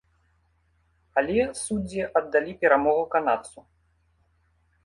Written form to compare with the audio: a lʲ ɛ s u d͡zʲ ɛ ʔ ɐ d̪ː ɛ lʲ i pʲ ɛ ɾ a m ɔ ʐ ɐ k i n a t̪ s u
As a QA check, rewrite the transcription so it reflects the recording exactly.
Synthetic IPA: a lʲ ɛ s u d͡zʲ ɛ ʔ ɐ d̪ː a lʲ i pʲ ɛ ɾ a m ɔ ɣ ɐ k a n a t̪ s u